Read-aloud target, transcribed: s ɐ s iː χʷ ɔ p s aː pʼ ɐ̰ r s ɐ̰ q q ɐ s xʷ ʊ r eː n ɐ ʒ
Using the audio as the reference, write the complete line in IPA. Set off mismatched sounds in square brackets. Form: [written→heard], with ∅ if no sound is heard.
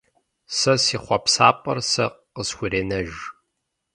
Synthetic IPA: s ɐ s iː χʷ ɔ p s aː pʼ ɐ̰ r s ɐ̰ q q [ɐ→ə] s xʷ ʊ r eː n ɐ ʒ